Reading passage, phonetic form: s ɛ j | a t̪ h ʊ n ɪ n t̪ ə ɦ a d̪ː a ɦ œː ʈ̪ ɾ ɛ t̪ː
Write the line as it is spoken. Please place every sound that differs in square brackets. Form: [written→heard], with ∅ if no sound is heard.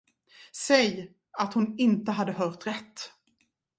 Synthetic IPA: s ɛ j | a t̪ h ʊ n ɪ n t̪ ə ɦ a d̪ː [a→ə] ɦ œː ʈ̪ ɾ ɛ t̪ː